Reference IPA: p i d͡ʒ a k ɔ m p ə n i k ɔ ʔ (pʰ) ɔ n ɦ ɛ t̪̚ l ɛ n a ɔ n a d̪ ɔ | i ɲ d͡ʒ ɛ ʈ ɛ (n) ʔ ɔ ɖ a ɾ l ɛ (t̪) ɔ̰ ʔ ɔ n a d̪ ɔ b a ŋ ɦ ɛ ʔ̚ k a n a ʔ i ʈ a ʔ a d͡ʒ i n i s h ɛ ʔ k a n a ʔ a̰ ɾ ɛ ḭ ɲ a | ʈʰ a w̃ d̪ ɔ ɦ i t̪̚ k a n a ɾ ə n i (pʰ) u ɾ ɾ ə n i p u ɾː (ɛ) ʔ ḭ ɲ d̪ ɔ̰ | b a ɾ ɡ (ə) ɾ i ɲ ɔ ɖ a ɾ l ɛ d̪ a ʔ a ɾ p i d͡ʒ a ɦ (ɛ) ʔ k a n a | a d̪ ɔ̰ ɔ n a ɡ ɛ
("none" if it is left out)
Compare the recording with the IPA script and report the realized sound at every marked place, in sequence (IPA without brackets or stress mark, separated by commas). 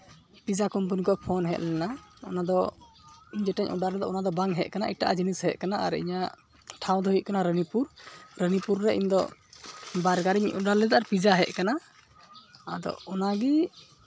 pʰ, ɲ, d̪, p, ɛ, a, ɛ